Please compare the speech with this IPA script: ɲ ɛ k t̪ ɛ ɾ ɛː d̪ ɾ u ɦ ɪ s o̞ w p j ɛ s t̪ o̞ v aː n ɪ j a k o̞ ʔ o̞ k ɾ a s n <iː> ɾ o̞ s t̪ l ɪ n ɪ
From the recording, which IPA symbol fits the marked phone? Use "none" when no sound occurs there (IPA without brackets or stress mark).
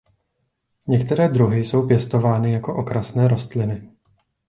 ɛː